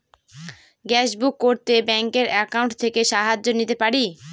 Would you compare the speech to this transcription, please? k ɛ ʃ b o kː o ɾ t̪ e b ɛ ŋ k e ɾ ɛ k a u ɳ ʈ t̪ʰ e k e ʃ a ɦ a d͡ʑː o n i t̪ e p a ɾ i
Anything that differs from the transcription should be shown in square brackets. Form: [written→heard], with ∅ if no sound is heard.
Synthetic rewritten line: [k→ɡ] ɛ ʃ b [o→u] kː o ɾ t̪ e b ɛ ŋ k e ɾ ɛ k a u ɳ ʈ t̪ʰ e k e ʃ a ɦ a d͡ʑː o n i t̪ e p a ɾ i

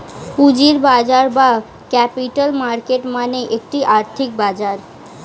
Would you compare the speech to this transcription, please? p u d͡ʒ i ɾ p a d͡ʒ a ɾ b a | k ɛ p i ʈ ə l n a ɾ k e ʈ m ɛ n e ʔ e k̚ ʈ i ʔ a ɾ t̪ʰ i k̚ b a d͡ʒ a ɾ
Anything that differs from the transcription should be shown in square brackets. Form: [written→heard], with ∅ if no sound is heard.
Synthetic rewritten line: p u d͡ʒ i ɾ [p→b] a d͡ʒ a ɾ b a | k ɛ p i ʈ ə l [n→m] a ɾ k e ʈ m [ɛ→a] n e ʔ e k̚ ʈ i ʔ a ɾ t̪ʰ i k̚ b a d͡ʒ a ɾ

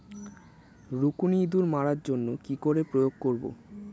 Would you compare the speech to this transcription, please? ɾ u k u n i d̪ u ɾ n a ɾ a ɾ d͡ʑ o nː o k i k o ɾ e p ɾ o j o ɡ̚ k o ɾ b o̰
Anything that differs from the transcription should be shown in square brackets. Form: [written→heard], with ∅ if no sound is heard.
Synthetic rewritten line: ɾ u k u n i d̪ u ɾ [n→m] a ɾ a ɾ d͡ʑ o nː o k i k o ɾ e p ɾ o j o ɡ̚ k o ɾ b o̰

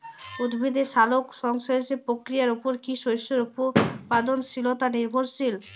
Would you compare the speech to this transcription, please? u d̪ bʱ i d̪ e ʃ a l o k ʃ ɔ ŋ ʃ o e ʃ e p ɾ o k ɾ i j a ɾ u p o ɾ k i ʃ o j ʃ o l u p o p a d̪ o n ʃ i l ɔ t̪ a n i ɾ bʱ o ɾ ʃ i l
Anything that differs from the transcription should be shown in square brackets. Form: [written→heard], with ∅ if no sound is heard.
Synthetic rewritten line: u d̪ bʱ i d̪ e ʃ a l o k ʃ ɔ ŋ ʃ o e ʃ e p ɾ o k ɾ i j a ɾ u p o ɾ k i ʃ o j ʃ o [l→ɾ] u p o p a d̪ o n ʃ i l [ɔ→o] t̪ a n i ɾ bʱ o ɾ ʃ i l

